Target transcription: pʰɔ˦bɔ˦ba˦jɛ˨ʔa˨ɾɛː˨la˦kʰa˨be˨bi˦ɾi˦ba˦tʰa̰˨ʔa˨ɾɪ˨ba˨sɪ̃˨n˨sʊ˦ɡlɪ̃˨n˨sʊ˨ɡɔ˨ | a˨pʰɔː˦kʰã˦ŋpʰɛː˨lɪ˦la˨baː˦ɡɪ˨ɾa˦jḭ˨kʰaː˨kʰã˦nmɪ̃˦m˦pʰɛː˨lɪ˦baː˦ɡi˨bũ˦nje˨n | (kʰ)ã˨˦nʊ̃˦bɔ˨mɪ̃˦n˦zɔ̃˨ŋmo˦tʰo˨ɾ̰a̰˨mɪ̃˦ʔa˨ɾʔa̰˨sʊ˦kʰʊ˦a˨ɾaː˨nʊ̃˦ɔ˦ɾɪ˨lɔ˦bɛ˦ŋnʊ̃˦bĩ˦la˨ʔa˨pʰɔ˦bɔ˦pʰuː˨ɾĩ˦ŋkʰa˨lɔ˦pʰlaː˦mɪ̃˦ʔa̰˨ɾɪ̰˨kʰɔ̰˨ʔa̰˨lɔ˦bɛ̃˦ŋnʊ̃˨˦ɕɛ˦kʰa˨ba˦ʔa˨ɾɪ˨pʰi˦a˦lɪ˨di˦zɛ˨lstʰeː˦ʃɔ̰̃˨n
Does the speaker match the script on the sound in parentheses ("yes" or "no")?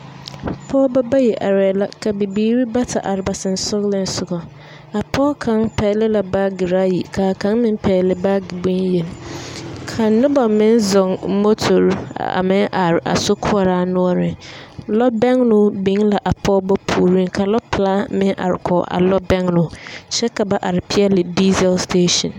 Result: yes